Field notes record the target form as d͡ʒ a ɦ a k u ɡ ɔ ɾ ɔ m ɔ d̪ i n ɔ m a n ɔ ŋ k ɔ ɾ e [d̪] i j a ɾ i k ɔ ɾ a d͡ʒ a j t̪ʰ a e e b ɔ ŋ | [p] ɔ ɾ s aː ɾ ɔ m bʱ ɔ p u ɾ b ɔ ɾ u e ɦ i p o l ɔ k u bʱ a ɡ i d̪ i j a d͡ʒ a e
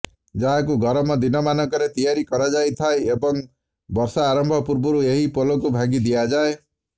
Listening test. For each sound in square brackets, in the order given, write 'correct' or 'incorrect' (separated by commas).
incorrect, incorrect